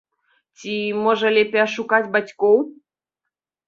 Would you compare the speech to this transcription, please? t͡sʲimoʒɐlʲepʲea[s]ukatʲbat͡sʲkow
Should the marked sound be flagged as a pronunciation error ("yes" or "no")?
yes